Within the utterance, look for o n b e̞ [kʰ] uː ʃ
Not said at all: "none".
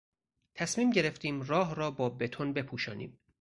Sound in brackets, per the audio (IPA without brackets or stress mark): pʰ